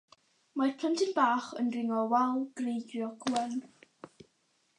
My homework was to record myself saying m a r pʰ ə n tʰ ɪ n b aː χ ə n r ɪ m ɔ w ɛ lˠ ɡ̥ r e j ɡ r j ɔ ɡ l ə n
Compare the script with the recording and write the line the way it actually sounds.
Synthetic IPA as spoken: m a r pʰ ə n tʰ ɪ n b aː χ ə n r ɪ ŋ ɔ w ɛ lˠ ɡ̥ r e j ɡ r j ɔ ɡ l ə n